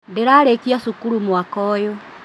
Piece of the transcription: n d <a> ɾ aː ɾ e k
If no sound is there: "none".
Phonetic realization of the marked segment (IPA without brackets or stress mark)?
e